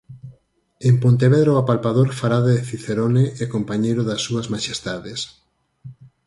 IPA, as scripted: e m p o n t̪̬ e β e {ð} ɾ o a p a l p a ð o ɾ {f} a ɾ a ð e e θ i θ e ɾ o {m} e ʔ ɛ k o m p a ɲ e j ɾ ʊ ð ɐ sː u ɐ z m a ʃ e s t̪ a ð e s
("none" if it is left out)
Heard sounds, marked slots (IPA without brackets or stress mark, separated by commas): ð, f, n